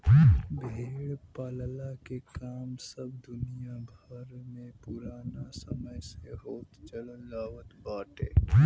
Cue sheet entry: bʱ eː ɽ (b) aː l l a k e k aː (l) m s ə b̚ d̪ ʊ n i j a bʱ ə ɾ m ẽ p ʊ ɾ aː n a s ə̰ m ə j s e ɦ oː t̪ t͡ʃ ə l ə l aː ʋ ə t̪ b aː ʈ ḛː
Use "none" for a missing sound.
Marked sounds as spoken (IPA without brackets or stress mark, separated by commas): p, none